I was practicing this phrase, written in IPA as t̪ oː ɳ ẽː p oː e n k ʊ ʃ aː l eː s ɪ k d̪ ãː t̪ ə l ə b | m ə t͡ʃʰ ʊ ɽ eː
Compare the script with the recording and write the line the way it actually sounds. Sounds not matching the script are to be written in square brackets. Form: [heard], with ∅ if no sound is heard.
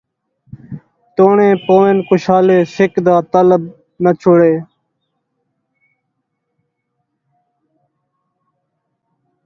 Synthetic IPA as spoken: t̪ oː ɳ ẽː p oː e n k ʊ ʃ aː l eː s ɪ k d̪ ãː t̪ ə l ə b | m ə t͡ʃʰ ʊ ɽ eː